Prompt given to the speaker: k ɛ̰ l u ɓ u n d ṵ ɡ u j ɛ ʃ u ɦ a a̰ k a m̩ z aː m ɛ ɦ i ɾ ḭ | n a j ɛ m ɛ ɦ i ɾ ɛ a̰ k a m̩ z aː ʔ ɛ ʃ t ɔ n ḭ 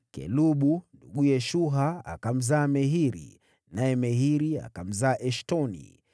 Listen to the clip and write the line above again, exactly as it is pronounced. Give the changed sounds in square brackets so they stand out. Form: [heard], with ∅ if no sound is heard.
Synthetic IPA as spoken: k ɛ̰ l u ɓ u n d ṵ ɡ u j ɛ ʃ u ɦ a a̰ k a m̩ z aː m ɛ ɦ i ɾ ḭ | n a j ɛ m ɛ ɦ i ɾ [i] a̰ k a m̩ z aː ʔ ɛ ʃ t ɔ n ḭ

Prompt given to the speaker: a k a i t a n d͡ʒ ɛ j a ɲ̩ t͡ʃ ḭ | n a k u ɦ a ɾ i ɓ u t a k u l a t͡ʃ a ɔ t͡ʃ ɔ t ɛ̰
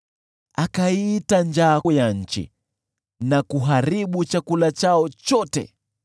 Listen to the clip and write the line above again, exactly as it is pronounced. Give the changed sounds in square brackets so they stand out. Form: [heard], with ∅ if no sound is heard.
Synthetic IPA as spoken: a k a i t a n d͡ʒ [a] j a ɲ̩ t͡ʃ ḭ | n a k u ɦ a ɾ i ɓ u [t͡ʃ] a k u l a t͡ʃ a ɔ t͡ʃ ɔ t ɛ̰

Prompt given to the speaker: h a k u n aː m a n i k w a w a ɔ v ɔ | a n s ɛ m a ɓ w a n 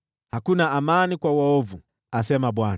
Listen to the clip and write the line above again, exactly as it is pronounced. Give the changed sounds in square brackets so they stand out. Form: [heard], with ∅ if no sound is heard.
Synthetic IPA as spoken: h a k u n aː m a n i k w a w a ɔ v [u] | a [∅] s ɛ m a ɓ w a n

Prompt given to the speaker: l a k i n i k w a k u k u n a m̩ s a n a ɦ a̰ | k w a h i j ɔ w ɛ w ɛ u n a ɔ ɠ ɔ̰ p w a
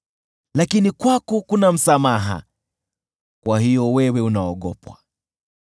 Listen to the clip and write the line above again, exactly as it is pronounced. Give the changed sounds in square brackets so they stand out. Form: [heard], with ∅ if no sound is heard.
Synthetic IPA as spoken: l a k i n i k w a k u k u n a m̩ s a [m] a ɦ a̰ | k w a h i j ɔ w ɛ w ɛ u n a ɔ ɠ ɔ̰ p w a

